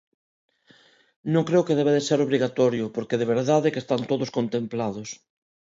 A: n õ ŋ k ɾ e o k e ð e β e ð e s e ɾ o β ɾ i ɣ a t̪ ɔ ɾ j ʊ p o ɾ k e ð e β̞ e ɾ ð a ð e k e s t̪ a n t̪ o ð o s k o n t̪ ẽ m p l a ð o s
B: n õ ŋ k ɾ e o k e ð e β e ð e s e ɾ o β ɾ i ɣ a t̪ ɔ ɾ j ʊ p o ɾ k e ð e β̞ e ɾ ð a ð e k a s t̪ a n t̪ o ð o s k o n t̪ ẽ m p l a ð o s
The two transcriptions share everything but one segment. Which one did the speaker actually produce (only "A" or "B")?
A